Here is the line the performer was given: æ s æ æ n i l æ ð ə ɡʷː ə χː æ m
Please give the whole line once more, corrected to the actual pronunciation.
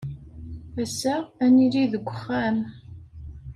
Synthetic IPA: æ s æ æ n i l i ð ə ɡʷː ə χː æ m